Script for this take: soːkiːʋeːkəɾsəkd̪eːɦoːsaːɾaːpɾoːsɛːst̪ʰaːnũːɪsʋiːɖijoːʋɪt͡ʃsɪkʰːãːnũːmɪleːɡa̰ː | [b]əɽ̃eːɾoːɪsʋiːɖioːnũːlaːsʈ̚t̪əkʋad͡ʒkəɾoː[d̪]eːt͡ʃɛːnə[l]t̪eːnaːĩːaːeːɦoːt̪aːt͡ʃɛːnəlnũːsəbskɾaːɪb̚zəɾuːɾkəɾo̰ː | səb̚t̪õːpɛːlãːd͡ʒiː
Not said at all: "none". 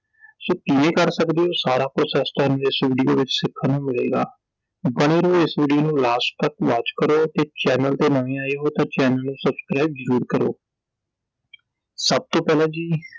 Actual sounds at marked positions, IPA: b, t̪, l

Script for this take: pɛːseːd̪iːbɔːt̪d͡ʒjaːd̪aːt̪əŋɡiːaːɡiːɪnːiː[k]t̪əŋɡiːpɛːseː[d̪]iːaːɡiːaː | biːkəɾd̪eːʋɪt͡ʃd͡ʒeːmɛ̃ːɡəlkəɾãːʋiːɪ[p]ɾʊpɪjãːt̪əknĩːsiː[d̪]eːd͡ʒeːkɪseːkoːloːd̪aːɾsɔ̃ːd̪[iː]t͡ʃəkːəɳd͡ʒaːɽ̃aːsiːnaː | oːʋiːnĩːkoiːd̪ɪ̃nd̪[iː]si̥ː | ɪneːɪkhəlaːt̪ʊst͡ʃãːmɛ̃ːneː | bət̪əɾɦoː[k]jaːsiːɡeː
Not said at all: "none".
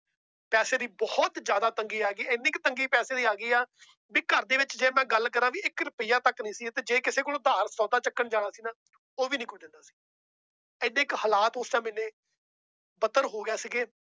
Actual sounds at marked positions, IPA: k, d̪, k, t̪, aː, aː, ɡ

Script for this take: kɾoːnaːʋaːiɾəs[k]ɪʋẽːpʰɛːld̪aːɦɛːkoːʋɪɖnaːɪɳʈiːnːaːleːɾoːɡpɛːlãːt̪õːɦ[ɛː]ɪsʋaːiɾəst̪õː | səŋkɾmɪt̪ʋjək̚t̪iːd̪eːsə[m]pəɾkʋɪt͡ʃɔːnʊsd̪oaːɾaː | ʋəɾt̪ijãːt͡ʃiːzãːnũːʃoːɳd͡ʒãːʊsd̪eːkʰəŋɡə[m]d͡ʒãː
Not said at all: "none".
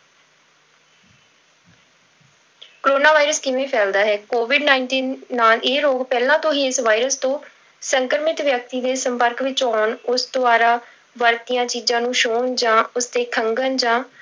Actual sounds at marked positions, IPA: k, iː, m, n

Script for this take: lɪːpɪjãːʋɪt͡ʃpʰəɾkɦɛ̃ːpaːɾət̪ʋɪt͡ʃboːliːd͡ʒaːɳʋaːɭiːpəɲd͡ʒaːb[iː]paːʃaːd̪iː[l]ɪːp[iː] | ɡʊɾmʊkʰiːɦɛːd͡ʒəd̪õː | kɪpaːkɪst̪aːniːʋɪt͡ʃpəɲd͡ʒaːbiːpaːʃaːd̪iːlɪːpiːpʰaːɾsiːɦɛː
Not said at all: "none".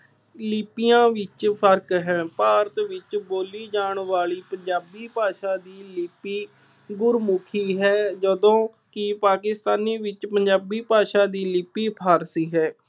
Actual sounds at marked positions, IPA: iː, l, iː

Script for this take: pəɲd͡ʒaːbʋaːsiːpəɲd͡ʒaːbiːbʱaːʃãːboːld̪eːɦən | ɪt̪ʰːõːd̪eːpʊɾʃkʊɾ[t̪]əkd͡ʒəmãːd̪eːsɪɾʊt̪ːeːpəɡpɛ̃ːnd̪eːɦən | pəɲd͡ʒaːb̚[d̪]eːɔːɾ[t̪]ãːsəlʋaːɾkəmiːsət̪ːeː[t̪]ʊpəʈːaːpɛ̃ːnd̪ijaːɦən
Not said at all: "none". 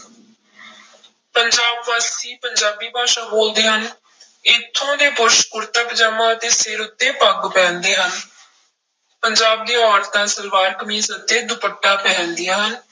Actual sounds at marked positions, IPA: t̪, d̪, t̪, d̪

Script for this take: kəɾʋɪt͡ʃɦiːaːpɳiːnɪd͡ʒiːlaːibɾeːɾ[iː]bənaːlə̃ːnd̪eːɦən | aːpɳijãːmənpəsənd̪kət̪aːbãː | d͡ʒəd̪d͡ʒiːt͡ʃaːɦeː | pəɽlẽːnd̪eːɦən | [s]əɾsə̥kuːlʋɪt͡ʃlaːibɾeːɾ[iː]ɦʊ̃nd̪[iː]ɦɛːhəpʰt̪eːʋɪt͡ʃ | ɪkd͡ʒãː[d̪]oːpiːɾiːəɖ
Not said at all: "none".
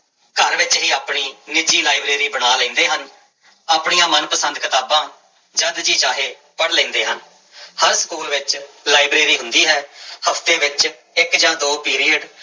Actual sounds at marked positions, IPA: iː, h, iː, iː, d̪

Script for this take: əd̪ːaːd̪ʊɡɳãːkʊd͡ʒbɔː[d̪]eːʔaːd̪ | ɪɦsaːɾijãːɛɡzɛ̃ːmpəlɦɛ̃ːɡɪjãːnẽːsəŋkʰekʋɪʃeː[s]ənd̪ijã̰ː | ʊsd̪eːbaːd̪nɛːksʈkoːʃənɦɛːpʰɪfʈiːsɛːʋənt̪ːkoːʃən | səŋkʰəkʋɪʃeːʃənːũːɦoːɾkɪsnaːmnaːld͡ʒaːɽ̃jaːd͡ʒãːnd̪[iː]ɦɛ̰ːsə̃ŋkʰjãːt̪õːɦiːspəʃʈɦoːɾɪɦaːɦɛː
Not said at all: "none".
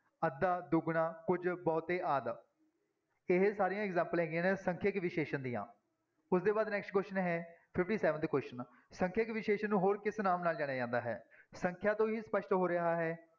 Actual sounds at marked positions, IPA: t̪, ʃ, aː

